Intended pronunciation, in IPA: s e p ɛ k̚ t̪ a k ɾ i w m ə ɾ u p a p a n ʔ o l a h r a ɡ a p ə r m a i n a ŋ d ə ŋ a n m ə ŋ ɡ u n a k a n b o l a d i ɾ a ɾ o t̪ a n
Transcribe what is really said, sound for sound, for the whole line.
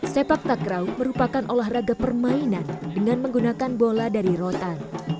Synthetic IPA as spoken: s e p a k̚ t̪ a k ɾ a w m ə ɾ u p a k a n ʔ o l a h r a ɡ a p ə r m a i n a n d ə ŋ a n m ə ŋ ɡ u n a k a n b o l a d a ɾ i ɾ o t̪ a n